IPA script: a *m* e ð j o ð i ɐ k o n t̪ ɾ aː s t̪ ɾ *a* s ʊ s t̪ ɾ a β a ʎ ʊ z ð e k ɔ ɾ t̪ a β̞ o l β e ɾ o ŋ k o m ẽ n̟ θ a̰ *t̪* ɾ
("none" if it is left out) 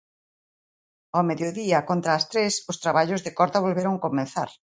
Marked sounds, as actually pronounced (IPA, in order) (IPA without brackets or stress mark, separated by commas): m, e, none